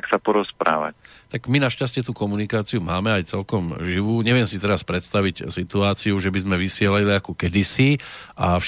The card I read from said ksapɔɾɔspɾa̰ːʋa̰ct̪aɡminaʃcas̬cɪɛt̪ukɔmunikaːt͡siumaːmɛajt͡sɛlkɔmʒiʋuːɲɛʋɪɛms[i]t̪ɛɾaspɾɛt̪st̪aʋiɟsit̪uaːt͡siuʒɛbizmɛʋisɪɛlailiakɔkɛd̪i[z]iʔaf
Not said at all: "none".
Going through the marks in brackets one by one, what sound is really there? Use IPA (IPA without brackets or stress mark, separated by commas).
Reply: i, s